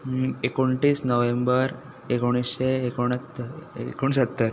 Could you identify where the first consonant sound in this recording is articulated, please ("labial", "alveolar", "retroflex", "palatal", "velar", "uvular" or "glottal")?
velar